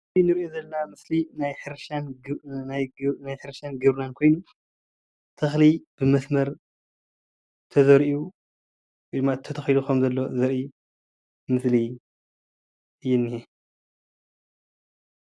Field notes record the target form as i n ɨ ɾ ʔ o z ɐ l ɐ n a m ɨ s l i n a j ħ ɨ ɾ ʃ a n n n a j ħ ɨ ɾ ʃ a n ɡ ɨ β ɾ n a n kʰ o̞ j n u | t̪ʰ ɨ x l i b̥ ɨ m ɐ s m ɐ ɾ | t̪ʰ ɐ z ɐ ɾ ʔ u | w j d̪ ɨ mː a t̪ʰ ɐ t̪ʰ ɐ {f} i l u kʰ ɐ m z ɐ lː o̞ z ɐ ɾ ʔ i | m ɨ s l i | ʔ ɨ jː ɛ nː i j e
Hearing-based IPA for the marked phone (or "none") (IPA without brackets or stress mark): x